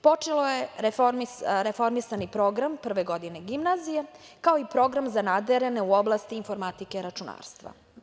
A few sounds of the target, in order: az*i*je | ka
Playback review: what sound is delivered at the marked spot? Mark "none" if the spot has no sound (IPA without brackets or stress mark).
i